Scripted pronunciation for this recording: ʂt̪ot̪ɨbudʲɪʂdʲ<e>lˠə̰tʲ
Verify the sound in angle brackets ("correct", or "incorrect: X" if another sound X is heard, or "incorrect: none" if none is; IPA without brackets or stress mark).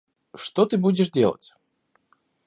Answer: correct